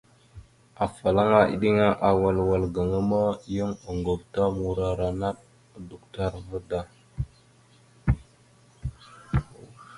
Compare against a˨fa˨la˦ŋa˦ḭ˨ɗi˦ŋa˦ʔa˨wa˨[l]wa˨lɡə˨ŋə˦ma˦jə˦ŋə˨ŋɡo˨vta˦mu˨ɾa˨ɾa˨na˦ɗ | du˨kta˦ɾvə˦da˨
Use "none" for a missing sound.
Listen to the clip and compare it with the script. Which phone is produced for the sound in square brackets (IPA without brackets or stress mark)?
l